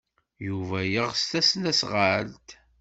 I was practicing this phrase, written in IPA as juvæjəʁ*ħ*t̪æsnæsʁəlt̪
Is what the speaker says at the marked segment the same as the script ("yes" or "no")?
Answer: no